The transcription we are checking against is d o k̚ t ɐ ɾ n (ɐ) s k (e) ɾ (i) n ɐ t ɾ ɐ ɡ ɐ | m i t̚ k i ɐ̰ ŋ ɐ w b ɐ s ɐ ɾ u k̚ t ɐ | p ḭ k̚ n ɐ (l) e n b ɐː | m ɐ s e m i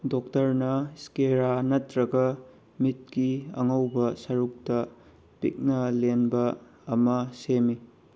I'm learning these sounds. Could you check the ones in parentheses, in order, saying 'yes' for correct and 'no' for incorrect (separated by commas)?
yes, yes, no, yes